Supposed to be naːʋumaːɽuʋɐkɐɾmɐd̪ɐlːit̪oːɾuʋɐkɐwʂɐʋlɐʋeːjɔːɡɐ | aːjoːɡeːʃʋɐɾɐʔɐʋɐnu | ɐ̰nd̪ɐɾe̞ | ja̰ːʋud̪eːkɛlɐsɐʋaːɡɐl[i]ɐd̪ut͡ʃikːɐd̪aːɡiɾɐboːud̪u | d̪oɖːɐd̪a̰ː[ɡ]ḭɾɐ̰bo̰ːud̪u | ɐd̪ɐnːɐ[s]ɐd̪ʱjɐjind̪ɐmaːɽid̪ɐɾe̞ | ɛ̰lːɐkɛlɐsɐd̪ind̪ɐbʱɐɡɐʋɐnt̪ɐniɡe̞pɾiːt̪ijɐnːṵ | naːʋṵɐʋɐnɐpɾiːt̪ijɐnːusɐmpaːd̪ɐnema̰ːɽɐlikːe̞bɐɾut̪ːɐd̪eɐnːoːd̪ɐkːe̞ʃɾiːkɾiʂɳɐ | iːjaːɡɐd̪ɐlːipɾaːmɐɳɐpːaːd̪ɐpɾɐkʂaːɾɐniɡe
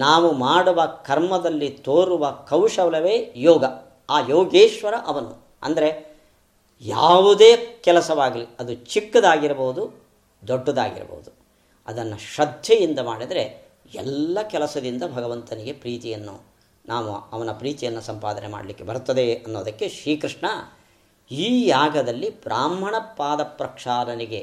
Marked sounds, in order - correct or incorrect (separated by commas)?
correct, correct, incorrect